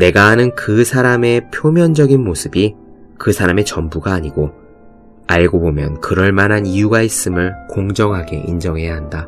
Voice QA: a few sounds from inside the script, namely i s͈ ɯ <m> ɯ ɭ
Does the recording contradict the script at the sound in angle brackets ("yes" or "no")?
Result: no